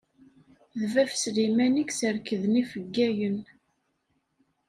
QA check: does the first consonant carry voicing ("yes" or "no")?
yes